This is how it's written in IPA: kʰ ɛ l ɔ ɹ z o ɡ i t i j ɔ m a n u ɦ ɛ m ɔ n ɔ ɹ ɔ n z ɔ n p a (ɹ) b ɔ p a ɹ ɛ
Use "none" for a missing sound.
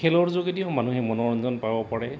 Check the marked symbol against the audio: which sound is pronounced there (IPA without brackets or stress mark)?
none